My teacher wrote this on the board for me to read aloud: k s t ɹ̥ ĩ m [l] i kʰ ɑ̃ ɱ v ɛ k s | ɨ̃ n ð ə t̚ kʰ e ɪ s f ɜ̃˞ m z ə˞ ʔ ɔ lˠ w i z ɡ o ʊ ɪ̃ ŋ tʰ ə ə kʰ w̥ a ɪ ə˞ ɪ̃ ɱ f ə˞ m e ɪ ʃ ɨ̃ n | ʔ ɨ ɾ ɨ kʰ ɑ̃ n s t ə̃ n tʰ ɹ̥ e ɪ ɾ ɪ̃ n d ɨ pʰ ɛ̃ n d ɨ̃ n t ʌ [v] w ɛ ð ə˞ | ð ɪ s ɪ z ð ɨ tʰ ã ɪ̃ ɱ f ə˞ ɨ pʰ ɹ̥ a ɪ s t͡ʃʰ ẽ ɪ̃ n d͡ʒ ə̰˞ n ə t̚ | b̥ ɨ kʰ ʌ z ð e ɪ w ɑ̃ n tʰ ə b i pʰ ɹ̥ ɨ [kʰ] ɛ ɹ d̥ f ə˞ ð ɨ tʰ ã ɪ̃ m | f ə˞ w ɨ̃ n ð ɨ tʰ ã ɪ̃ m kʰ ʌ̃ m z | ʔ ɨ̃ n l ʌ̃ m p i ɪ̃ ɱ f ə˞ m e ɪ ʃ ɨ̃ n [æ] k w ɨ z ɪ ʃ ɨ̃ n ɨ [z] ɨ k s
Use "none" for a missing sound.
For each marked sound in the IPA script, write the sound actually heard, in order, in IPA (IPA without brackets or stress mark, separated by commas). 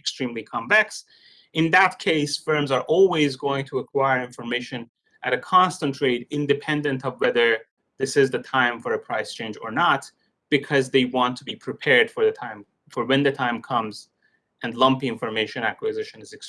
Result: l, v, pʰ, æ, z